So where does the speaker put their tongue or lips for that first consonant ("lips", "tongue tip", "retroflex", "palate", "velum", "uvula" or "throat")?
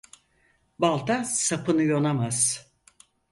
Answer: lips